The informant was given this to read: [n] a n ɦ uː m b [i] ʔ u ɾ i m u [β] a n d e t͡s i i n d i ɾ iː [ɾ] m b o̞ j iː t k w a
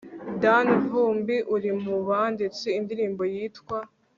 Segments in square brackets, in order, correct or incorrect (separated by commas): incorrect, correct, correct, incorrect